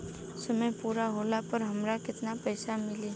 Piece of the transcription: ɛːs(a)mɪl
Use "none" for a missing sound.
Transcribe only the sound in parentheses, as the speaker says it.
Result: a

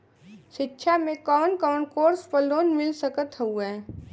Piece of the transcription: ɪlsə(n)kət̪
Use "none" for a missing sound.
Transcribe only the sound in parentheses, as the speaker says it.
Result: none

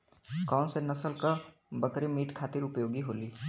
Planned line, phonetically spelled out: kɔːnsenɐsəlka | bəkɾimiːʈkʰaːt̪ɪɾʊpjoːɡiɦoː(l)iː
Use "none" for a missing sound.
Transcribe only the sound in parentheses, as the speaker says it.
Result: l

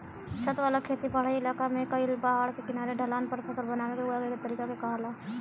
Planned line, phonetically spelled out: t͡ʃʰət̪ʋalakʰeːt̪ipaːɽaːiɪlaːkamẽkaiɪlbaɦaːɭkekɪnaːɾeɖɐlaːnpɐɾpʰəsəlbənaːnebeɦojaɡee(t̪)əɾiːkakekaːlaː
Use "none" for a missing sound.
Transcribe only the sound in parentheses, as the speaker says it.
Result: t̪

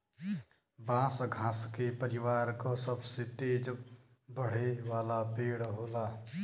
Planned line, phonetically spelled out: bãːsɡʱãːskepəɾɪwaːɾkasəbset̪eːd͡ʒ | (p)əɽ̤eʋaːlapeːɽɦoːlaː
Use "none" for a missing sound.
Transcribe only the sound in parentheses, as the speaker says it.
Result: b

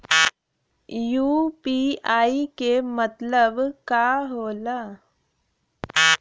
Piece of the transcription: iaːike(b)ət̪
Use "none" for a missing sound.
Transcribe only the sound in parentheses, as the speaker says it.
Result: m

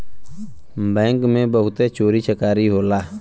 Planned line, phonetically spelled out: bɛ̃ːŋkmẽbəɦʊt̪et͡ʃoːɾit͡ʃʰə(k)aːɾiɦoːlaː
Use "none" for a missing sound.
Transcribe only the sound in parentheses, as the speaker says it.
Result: k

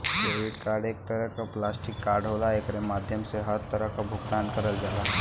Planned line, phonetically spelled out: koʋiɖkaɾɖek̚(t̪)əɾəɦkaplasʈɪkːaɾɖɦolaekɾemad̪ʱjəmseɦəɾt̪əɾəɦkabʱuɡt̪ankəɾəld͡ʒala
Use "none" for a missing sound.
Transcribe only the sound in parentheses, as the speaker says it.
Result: t̪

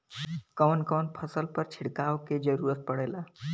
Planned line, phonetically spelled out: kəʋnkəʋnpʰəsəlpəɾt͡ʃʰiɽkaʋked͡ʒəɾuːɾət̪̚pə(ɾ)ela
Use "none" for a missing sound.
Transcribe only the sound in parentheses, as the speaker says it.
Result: ɽ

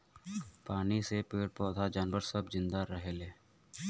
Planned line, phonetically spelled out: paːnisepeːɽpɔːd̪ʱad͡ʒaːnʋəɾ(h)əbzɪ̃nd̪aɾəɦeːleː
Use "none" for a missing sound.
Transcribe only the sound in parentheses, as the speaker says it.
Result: s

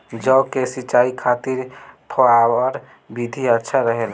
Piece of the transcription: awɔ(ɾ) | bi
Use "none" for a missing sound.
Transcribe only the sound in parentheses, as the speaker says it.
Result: ɾ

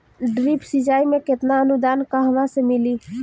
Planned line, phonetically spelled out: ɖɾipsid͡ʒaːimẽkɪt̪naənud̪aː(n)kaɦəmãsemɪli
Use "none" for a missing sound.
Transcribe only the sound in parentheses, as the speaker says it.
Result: n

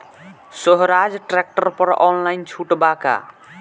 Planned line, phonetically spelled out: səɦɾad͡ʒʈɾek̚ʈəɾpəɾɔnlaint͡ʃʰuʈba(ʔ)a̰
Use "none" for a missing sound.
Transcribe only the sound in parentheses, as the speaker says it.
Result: k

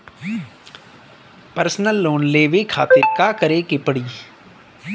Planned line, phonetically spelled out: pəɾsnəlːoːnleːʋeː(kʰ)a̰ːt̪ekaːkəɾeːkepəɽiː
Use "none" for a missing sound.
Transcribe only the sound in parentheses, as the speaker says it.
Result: kʰ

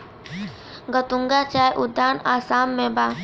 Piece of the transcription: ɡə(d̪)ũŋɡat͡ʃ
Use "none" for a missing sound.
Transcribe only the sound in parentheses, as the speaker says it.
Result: t̪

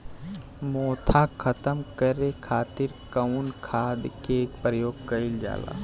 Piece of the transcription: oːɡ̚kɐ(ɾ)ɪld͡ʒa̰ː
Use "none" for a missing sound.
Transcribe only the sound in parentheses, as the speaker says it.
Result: none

